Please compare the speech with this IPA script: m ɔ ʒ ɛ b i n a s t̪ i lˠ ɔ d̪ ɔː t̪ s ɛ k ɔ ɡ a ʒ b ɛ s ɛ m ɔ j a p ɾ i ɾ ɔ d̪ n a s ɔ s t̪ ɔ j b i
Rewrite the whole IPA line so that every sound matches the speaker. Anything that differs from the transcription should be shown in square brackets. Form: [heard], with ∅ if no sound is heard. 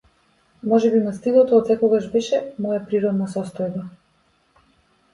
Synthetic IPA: m ɔ ʒ ɛ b i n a s t̪ i lˠ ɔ [t̪] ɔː t̪ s ɛ k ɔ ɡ a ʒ b ɛ [ʃ] ɛ m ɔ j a p ɾ i ɾ ɔ d̪ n a s ɔ s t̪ ɔ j b [a]